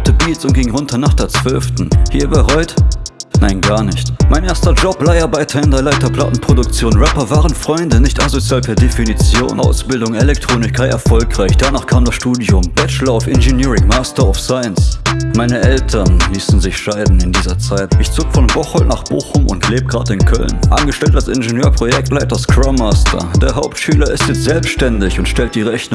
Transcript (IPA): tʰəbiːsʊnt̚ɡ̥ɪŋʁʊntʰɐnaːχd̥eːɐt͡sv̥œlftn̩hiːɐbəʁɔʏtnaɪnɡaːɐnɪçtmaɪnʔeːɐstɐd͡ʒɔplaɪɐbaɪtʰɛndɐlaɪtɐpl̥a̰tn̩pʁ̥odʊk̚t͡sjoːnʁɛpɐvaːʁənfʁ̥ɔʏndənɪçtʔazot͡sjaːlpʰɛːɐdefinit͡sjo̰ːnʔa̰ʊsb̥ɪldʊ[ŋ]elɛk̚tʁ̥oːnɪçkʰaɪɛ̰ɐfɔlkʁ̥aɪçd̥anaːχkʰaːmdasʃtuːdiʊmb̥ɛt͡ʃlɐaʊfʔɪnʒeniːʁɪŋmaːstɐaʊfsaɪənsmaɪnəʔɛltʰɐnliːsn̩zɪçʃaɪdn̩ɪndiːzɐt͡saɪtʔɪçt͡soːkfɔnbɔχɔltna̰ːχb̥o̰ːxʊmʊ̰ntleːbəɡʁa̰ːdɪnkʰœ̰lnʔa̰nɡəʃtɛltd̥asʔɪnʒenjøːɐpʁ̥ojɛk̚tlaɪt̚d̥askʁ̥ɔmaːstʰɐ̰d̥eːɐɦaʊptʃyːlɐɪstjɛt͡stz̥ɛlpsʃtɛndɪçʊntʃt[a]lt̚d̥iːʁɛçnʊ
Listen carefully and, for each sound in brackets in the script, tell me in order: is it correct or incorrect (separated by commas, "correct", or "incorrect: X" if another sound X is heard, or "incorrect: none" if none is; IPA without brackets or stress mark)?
correct, incorrect: ɛ